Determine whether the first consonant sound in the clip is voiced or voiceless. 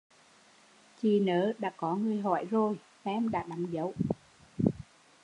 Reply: voiceless